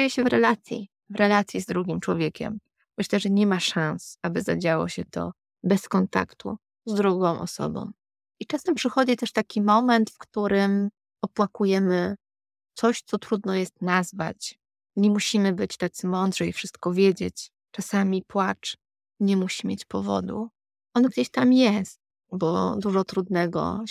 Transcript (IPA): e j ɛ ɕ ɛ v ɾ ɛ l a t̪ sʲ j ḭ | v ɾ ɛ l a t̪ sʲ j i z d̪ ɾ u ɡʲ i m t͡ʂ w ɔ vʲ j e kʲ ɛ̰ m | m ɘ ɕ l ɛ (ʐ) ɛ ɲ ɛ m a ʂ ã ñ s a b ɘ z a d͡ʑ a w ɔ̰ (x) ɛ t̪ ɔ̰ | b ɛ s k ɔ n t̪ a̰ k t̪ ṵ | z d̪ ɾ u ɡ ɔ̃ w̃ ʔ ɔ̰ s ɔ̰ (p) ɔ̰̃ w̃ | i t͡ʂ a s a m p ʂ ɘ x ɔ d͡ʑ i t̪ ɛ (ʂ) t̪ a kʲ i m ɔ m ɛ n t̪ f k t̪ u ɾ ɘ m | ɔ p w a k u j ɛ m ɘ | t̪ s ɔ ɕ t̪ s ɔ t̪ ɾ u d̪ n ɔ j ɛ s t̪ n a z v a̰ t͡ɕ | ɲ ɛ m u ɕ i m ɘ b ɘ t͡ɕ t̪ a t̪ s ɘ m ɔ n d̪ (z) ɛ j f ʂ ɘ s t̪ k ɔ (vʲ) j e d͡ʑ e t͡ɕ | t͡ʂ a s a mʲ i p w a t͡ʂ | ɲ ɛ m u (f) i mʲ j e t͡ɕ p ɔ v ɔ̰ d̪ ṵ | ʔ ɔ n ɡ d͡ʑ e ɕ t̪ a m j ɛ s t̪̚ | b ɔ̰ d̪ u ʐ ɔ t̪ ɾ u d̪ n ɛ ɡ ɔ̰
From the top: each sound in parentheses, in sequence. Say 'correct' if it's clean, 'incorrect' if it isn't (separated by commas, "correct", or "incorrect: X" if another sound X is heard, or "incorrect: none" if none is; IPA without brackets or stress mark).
correct, incorrect: ɕ, incorrect: b, correct, incorrect: ʐ, correct, incorrect: ɕ